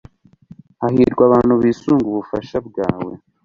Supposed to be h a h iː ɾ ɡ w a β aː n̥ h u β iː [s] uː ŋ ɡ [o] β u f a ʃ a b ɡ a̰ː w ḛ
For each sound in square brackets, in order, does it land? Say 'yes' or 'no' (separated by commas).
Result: yes, no